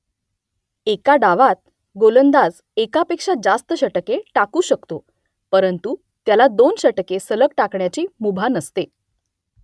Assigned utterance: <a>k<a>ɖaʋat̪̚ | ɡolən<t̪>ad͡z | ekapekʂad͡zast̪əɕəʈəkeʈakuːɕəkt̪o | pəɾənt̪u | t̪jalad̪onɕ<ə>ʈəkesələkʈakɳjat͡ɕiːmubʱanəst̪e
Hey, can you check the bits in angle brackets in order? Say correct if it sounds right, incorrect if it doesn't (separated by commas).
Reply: incorrect, correct, incorrect, correct